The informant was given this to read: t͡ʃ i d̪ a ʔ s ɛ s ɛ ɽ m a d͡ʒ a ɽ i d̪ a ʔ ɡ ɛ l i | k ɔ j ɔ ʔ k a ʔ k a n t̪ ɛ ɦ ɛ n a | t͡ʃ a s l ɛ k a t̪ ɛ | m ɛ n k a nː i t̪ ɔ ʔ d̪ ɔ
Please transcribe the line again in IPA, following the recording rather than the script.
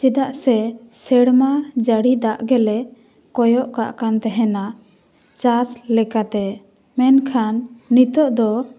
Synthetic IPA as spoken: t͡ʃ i d̪ a ʔ s ɛ s ɛ ɽ m a d͡ʒ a ɽ i d̪ a ʔ ɡ ɛ l ɛ | k ɔ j ɔ ʔ k a ʔ k a n t̪ ɛ ɦ ɛ n a | t͡ʃ a s l ɛ k a t̪ ɛ | m ɛ n kʰ a nː i t̪ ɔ ʔ d̪ ɔ